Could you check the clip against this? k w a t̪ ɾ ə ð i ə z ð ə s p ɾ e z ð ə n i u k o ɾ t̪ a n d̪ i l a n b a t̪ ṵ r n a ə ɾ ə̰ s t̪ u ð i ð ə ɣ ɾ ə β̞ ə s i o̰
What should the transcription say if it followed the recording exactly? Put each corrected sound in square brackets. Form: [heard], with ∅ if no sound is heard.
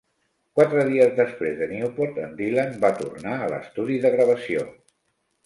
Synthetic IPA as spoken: k w a t̪ ɾ ə ð i ə z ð ə s p ɾ e z ð ə n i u [p] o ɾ t̪ [ə] n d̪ i l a n b a t̪ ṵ r n a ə [l] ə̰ s t̪ u ð i ð ə ɣ ɾ ə β̞ ə s i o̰